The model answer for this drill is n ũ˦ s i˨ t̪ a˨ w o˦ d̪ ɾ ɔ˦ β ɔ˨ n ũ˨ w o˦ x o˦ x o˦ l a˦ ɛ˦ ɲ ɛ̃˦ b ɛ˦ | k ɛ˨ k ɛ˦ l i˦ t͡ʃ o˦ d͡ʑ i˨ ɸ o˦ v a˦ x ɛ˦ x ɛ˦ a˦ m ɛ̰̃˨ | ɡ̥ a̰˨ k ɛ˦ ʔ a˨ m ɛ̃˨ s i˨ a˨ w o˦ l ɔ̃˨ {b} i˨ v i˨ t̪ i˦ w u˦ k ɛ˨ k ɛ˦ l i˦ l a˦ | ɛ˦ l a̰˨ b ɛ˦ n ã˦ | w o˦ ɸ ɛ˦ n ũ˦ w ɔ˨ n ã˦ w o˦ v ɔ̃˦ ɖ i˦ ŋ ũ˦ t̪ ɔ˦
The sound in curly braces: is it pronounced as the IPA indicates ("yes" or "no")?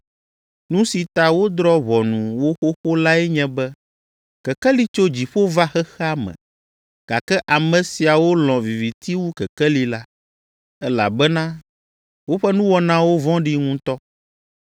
no